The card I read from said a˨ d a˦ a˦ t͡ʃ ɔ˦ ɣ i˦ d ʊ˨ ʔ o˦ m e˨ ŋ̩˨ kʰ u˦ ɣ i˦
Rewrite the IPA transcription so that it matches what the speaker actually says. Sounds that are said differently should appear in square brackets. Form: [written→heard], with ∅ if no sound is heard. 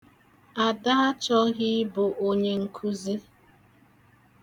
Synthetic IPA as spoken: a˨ d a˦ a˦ t͡ʃ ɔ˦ ɣ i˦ [d→b] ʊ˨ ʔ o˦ [m→ɲ] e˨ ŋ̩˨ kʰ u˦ [ɣ→z] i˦